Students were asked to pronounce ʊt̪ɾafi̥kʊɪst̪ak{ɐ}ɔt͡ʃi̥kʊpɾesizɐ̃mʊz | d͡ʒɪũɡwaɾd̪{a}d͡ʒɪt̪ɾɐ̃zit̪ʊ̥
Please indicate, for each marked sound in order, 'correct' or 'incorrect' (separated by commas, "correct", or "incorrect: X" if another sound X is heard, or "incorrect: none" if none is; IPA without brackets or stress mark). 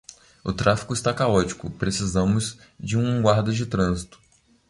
incorrect: a, incorrect: ɐ